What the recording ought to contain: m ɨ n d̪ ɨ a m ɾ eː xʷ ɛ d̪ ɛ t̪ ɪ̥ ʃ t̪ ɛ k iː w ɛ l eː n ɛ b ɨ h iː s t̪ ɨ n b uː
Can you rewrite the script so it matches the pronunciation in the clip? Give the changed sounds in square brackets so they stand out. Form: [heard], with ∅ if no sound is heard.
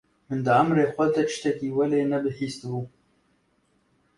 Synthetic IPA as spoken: m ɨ n d̪ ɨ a m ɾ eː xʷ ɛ d̪ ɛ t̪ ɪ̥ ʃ t̪ ɛ k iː w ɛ l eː n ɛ b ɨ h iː s t̪ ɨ [∅] b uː